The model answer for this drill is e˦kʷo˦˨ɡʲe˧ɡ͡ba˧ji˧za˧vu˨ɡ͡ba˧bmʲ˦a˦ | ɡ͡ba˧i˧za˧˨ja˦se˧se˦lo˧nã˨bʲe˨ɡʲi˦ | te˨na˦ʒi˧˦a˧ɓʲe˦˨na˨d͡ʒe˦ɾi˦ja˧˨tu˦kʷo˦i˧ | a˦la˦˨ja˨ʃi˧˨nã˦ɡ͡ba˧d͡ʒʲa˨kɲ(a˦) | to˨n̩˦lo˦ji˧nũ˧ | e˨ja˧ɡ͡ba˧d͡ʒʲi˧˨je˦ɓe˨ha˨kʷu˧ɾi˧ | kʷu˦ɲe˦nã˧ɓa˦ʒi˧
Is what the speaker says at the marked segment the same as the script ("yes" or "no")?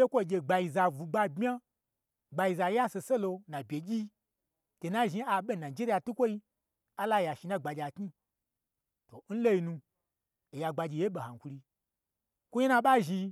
no